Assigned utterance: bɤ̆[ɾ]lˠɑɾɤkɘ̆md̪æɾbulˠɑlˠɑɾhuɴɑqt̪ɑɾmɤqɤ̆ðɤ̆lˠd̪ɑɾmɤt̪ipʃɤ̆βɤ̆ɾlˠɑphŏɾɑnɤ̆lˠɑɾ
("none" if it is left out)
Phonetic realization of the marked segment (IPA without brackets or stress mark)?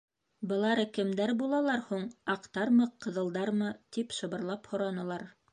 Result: none